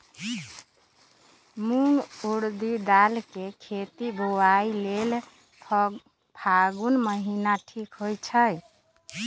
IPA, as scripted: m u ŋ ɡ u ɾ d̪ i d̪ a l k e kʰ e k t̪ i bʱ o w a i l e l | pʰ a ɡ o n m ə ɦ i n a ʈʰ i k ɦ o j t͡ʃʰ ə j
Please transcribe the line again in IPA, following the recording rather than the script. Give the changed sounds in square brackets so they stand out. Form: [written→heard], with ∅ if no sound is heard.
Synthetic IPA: m u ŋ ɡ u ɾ d̪ i d̪ a l k e kʰ e [k→∅] t̪ i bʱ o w a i l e l | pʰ a ɡ [o→u] n m ə ɦ i n a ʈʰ i k ɦ o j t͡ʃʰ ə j